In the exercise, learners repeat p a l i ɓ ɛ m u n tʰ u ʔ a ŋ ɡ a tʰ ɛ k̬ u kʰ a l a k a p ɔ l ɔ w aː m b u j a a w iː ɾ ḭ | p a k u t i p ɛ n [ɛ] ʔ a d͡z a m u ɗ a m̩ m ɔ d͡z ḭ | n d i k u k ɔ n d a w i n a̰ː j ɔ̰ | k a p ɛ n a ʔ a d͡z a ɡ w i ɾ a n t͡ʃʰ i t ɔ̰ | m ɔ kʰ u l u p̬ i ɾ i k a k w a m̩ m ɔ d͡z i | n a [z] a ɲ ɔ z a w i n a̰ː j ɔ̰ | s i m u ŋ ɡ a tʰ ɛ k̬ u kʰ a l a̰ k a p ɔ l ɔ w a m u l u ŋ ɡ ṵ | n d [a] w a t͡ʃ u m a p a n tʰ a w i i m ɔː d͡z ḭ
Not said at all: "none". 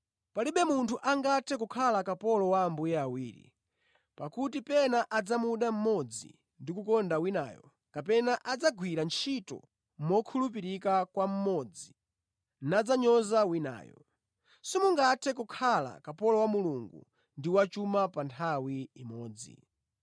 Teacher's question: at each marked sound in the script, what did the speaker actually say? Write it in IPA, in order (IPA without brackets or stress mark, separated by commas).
a, d͡z, i